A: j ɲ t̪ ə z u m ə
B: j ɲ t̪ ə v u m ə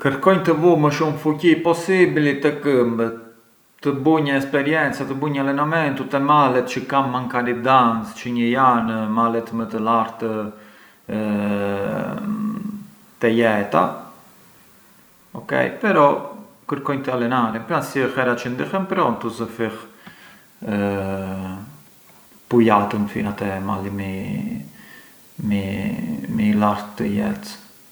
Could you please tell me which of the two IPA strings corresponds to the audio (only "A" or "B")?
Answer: B